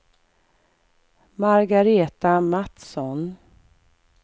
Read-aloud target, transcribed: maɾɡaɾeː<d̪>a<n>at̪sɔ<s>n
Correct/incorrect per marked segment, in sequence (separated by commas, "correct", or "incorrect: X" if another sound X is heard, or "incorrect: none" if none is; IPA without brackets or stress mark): incorrect: t̪, incorrect: m, incorrect: none